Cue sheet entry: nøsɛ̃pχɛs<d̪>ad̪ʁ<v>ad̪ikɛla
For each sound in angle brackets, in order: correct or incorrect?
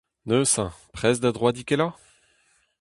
correct, incorrect: w

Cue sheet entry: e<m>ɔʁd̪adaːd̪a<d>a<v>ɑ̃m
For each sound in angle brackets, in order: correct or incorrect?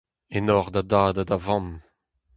incorrect: n, correct, correct

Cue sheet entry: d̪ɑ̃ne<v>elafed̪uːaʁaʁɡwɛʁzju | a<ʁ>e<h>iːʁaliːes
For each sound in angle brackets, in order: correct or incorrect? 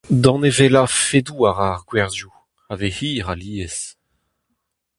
correct, incorrect: v, correct

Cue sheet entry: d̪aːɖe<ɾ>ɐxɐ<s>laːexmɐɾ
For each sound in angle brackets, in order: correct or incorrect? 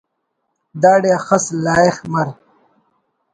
incorrect: none, correct

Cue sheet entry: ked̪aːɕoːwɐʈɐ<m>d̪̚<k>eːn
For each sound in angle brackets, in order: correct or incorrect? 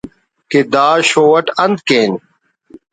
incorrect: n, correct

